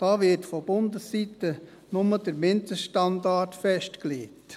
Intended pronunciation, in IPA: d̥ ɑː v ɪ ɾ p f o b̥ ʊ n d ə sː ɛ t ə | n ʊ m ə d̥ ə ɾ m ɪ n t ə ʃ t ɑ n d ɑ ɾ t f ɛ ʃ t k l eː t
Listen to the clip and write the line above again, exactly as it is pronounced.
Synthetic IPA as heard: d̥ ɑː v ɪ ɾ t f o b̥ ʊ n d ə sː i t ə | n ʊ m ə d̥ ə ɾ m ɪ n t ə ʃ t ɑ n d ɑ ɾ t f ɛ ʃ t k l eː t